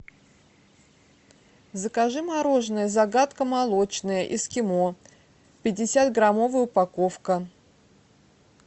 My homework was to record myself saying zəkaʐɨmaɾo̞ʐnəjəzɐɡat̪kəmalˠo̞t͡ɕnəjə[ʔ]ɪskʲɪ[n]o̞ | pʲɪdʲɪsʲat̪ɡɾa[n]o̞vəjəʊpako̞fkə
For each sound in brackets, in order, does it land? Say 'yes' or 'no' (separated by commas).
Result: yes, no, no